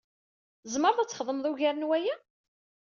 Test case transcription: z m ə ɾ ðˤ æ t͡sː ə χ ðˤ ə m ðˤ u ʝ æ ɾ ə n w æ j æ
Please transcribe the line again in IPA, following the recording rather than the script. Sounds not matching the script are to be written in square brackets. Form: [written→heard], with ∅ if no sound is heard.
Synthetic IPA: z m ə ɾ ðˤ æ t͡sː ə χ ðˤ ə m ðˤ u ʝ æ ɾ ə n w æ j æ